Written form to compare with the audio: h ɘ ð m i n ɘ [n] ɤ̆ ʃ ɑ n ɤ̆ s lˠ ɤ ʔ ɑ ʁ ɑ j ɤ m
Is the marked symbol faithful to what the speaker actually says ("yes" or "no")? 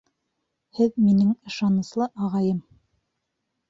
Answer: no